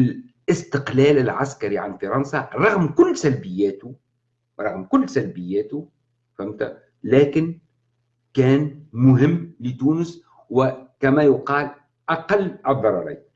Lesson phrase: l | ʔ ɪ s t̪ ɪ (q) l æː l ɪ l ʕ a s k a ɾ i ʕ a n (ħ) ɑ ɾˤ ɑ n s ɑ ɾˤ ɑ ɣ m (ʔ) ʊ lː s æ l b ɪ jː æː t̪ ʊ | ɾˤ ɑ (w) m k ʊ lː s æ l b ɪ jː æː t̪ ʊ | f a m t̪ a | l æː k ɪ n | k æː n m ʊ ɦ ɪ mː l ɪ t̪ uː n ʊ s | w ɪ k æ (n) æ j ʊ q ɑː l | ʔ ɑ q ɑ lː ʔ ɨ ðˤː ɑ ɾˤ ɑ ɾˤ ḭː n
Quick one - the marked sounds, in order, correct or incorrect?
correct, incorrect: f, incorrect: k, incorrect: ɣ, incorrect: m

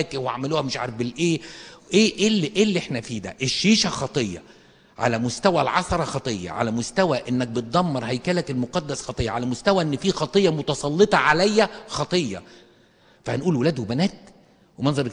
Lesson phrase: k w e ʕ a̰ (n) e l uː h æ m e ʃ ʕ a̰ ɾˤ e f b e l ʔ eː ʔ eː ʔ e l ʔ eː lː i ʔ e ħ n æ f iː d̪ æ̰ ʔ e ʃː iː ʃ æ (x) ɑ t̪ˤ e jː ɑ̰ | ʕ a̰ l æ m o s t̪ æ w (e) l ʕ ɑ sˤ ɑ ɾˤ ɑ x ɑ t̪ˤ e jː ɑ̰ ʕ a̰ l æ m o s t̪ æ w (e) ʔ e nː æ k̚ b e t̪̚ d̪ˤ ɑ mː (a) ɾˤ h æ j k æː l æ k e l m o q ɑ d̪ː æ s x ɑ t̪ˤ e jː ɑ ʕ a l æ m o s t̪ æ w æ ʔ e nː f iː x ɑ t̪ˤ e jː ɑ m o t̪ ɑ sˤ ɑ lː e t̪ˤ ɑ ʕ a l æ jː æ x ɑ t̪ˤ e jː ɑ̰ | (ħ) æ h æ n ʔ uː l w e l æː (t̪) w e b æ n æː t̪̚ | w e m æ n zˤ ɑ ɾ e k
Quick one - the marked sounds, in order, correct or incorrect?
incorrect: m, correct, incorrect: æ, incorrect: æ, incorrect: ɑ, incorrect: f, incorrect: d̪

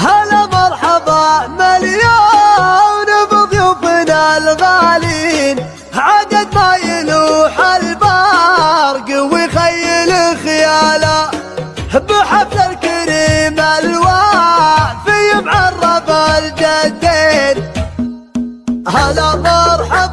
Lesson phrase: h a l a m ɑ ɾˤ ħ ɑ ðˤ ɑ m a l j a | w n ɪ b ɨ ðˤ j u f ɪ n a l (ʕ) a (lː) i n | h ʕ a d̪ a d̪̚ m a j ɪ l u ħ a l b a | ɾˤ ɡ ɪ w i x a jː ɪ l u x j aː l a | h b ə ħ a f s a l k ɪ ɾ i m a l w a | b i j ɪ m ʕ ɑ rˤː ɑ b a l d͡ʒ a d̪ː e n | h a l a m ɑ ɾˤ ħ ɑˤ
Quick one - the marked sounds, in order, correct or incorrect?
incorrect: ɣ, incorrect: l

